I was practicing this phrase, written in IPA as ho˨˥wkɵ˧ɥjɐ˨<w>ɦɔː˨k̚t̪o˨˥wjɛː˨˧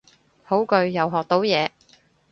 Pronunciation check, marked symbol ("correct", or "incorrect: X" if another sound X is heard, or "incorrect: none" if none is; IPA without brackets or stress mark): correct